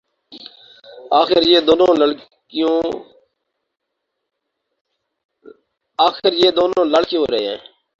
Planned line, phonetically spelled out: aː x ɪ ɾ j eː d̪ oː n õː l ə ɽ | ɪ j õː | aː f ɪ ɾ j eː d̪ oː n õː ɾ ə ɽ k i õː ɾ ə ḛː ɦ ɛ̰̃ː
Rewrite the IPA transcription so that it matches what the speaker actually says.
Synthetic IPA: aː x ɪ ɾ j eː d̪ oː n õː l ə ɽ | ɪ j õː | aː x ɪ ɾ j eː d̪ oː n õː l ə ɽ k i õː ɾ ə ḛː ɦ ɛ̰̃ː